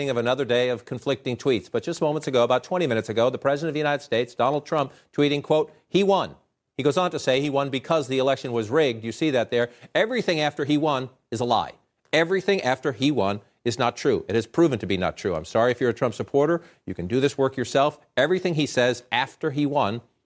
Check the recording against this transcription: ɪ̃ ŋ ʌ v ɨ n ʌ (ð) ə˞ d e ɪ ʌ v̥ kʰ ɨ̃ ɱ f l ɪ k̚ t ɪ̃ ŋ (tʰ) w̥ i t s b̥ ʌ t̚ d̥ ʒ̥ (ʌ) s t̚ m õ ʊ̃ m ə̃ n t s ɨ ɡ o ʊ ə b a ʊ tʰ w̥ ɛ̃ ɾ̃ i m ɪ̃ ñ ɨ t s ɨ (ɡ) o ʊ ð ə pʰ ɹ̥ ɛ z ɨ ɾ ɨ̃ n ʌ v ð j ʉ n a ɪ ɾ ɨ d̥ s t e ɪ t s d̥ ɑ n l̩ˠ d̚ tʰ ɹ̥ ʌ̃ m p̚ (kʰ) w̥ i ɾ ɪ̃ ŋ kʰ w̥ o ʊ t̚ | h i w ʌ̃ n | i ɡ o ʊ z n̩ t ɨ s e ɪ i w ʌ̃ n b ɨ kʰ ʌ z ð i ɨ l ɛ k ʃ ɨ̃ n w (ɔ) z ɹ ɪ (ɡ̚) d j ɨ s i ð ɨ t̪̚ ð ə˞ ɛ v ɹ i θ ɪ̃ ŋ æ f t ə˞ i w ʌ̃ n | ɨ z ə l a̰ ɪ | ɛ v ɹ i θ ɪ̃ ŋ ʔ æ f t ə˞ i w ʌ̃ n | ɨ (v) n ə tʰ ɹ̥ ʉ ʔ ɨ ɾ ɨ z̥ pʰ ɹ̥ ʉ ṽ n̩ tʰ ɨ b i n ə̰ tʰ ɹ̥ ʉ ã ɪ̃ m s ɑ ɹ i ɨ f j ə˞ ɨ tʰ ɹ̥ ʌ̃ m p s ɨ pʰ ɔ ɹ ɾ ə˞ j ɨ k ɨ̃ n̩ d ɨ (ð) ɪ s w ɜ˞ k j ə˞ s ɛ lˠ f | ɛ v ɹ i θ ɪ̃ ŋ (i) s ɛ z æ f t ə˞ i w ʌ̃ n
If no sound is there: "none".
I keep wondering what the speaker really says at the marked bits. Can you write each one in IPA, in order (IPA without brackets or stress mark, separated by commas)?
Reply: ð, tʰ, ʌ, ɡ, tʰ, ʌ, ɡ̚, z, ð, i